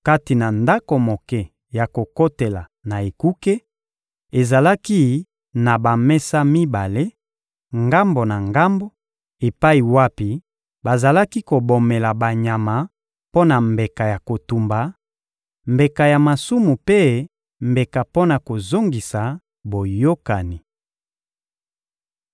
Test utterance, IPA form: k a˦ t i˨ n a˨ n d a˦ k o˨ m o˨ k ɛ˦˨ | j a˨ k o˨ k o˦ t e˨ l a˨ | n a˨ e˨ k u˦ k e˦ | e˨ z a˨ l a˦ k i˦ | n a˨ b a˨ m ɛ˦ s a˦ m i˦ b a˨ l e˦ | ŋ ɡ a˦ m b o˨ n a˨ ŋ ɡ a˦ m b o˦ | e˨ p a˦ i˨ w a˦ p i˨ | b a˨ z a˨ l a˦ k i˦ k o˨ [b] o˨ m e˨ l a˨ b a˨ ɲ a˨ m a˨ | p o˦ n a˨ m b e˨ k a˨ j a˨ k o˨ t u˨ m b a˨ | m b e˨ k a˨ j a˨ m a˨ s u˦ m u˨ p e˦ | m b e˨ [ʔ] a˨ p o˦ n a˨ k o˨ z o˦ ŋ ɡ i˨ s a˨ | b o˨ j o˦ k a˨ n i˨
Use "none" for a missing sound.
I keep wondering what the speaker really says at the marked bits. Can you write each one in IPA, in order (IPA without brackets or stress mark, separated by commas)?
b, k